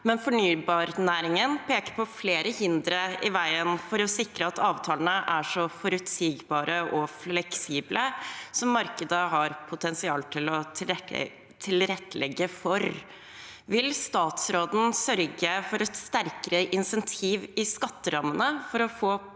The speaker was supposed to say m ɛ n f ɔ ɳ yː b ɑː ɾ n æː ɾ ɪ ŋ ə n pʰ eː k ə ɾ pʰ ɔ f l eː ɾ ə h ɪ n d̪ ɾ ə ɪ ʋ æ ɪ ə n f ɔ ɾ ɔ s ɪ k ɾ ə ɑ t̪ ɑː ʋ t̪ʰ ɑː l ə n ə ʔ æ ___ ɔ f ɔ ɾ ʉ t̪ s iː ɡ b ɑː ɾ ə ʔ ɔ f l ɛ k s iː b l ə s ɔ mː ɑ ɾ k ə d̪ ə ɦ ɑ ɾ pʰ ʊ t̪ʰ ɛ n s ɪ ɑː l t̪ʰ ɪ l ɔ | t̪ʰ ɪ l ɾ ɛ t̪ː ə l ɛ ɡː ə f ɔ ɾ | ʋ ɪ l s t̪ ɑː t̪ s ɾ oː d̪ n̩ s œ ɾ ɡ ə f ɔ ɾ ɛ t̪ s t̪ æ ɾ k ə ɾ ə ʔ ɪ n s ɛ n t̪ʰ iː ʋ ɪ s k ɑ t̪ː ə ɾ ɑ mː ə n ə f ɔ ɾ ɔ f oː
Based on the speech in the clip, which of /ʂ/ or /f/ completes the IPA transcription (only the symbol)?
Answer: ʂ